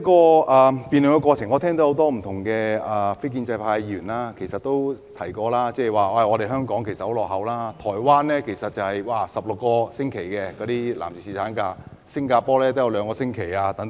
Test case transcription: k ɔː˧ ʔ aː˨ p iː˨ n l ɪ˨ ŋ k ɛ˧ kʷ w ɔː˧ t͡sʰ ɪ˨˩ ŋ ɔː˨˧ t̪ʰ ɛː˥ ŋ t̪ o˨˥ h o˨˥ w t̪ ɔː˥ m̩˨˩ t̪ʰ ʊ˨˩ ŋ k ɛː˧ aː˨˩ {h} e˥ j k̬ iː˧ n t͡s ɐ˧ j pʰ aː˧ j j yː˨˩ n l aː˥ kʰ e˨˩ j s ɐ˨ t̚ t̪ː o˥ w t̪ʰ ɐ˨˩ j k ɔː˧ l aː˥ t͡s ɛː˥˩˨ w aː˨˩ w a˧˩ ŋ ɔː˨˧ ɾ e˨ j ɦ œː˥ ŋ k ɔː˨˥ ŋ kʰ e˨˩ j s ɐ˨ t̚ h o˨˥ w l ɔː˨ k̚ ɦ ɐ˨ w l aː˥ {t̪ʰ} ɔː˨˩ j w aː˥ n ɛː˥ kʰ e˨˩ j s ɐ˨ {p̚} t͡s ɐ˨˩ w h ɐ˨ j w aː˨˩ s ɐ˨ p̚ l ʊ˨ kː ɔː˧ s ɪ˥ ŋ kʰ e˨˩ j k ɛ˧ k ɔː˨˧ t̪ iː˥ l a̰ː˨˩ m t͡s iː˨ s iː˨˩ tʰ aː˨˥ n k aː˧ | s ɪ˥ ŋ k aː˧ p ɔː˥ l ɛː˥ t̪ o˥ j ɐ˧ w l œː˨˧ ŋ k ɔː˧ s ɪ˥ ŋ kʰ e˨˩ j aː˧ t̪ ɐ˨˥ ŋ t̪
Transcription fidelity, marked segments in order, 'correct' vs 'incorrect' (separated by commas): incorrect, correct, incorrect